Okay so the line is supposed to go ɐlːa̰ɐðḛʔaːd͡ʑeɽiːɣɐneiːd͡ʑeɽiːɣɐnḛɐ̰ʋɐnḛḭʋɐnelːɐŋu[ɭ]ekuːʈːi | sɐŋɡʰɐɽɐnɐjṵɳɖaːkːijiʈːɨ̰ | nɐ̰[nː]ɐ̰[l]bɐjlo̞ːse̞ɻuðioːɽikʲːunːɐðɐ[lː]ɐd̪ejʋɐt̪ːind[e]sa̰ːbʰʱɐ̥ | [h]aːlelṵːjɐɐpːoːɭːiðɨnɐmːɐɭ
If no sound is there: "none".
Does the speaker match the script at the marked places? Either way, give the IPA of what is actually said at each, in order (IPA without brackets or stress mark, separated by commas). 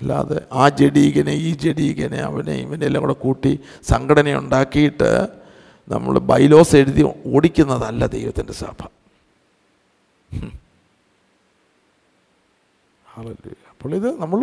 ɽ, mː, ɭ, lː, e, h